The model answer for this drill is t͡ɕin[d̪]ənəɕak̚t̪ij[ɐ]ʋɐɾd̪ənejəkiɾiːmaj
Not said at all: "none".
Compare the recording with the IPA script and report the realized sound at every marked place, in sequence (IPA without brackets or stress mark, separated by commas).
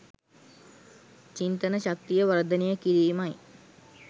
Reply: t̪, ə